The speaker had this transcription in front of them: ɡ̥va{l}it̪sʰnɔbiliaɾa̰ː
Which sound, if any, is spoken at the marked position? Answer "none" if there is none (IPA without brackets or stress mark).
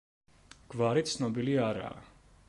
ɾ